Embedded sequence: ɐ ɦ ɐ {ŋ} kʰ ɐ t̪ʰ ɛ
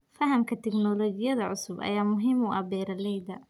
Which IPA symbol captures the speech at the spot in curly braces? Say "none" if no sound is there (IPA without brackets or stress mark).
m